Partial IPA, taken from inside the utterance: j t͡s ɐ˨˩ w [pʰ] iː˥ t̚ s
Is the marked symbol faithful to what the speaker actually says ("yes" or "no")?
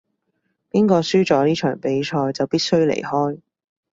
no